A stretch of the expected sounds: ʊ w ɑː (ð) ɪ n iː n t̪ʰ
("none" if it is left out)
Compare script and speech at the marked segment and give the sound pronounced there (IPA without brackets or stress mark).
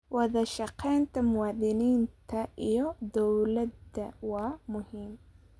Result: ð